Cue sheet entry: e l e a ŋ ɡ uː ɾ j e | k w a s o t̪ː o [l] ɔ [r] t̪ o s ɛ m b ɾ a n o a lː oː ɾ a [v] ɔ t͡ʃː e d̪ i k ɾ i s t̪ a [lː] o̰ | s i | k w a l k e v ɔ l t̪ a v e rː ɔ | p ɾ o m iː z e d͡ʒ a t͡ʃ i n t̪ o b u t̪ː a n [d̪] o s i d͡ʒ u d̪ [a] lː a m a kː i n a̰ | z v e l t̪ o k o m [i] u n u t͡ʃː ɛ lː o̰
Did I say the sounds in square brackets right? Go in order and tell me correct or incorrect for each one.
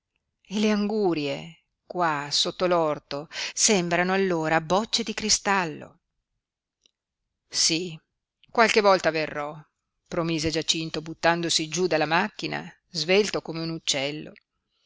correct, correct, incorrect: b, correct, correct, correct, incorrect: e

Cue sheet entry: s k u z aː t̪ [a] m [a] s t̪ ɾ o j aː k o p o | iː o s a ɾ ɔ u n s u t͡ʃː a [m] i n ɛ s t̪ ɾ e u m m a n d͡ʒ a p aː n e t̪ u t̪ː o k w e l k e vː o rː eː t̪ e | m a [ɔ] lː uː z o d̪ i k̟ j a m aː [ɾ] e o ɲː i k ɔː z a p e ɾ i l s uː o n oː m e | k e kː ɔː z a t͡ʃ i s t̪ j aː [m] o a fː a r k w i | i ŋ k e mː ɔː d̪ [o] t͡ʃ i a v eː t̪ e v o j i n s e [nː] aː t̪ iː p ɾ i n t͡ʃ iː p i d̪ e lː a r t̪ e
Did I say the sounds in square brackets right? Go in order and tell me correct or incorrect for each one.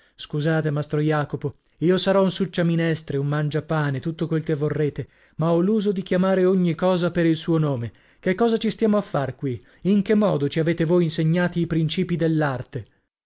incorrect: e, correct, correct, correct, correct, correct, correct, incorrect: ɲː

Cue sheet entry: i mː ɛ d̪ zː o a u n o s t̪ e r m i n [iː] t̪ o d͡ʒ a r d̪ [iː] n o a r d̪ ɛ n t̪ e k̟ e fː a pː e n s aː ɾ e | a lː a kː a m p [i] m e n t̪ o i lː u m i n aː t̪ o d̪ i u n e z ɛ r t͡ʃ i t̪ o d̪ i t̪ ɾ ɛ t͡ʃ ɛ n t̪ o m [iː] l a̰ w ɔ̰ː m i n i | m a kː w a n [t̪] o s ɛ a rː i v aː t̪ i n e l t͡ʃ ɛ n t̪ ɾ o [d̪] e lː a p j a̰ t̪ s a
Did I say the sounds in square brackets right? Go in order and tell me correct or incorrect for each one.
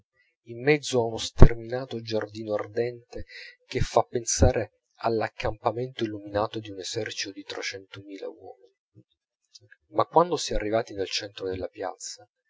incorrect: aː, correct, incorrect: a, correct, incorrect: d̪, correct

